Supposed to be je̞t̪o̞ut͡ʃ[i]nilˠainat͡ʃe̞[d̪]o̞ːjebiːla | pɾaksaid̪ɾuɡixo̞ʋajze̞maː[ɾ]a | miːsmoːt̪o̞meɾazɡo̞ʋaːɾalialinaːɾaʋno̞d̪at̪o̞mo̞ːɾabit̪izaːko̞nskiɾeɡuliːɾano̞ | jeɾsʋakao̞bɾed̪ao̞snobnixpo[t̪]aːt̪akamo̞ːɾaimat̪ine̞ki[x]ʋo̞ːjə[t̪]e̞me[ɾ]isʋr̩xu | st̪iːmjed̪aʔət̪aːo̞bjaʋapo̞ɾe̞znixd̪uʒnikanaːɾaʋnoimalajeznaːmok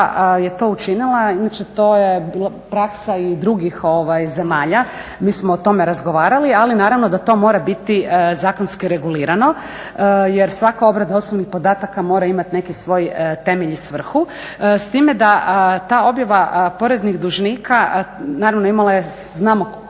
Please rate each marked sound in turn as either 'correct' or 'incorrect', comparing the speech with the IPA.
correct, incorrect: t̪, incorrect: ʎ, incorrect: d̪, incorrect: s, correct, incorrect: ʎ

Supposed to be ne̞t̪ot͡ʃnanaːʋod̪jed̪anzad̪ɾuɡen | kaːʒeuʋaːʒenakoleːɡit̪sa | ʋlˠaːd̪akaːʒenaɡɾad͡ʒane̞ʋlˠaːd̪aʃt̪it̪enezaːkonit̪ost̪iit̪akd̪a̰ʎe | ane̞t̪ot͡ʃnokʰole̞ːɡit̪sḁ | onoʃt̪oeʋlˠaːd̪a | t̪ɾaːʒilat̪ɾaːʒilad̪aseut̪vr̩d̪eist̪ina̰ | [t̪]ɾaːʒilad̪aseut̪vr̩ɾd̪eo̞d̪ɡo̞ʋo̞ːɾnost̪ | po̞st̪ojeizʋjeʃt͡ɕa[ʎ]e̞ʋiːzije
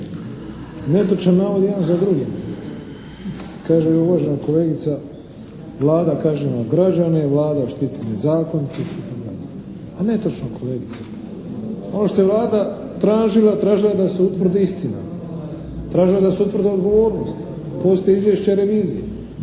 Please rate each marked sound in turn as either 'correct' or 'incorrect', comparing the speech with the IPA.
correct, incorrect: ɾ

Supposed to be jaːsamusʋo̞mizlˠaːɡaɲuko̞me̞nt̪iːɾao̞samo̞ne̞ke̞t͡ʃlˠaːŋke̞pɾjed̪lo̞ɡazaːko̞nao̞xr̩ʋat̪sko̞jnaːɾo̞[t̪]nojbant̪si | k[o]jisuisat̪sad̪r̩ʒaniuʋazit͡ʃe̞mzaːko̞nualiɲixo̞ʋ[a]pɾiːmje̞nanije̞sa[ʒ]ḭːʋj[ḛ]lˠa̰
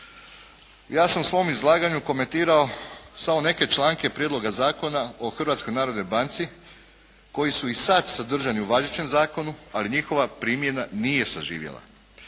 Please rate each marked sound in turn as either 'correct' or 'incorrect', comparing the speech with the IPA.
incorrect: d̪, correct, correct, correct, correct

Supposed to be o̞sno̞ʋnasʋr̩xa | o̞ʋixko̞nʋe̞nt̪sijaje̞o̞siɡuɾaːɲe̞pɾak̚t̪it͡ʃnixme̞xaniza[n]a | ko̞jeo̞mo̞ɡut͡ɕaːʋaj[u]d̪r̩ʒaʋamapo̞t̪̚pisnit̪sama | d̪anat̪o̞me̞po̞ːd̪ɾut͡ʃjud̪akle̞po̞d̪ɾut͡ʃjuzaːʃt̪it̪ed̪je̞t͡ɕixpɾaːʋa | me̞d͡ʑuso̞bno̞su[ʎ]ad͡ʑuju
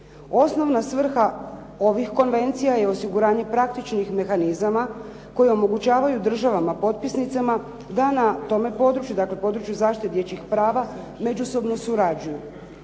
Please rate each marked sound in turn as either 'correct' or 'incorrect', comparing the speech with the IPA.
incorrect: m, correct, incorrect: ɾ

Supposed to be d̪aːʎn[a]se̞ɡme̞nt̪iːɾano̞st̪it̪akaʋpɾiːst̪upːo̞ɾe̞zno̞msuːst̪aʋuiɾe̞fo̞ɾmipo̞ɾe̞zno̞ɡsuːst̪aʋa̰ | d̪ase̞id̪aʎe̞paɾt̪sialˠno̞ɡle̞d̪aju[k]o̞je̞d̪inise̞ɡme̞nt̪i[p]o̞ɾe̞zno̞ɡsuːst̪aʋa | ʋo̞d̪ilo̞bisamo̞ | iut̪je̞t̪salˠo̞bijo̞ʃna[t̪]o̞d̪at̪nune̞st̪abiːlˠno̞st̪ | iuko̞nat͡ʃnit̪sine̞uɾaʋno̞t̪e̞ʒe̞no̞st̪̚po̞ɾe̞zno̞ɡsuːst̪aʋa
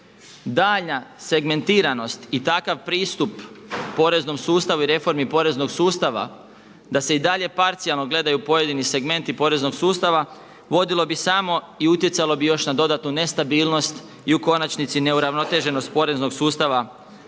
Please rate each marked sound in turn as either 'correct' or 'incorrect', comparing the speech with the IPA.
correct, incorrect: p, correct, incorrect: d̪

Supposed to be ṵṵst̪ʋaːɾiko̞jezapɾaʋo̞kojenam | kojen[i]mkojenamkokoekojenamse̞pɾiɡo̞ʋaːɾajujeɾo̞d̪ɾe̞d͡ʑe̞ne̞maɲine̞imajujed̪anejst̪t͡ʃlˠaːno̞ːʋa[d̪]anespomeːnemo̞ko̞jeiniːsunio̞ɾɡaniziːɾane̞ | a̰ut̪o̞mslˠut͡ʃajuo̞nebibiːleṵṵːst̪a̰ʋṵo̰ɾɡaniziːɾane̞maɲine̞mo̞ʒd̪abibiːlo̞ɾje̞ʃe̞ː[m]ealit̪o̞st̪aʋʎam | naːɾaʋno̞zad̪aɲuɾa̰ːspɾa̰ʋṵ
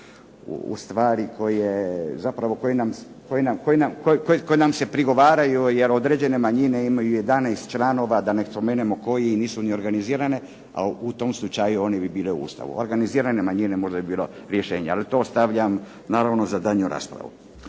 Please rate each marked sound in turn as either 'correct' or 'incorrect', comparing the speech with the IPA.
incorrect: a, correct, incorrect: ɲ

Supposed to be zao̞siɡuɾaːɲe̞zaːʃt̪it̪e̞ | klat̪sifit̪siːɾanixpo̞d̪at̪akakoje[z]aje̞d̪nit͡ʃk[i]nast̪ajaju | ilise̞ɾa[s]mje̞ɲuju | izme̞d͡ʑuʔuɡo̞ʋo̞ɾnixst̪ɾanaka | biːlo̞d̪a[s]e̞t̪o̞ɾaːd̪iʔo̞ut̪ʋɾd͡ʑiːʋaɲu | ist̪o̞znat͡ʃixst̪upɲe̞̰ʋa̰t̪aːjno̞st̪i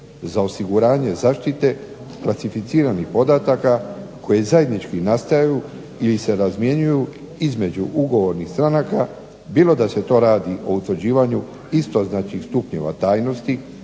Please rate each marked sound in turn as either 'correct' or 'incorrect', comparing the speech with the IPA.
correct, correct, incorrect: z, correct

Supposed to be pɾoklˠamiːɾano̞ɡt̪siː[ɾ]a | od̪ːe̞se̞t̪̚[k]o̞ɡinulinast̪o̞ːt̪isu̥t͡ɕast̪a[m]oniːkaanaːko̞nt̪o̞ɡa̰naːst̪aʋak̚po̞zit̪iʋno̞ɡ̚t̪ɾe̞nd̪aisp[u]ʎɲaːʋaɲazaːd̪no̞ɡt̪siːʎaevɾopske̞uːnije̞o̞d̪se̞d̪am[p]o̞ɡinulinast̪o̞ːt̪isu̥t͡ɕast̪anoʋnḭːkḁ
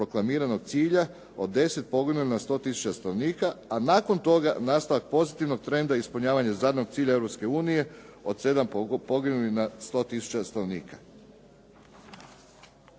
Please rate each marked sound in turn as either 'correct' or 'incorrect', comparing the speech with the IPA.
incorrect: ʎ, incorrect: p, incorrect: n, correct, correct

